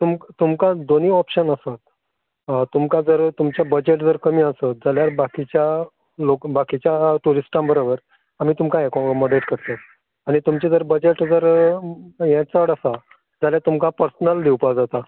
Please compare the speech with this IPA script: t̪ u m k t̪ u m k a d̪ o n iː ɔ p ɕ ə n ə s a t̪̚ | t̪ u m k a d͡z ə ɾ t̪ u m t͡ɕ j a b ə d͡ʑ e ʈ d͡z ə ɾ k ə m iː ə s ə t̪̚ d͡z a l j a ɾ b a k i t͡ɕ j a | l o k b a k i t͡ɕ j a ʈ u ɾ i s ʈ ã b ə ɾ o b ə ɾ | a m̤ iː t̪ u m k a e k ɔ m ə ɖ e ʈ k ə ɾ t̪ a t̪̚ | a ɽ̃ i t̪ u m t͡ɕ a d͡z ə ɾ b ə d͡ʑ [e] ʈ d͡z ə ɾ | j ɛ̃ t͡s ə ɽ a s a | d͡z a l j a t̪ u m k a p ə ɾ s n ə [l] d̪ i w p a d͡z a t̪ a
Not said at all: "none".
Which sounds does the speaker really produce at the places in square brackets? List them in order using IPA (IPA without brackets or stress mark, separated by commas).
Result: e, l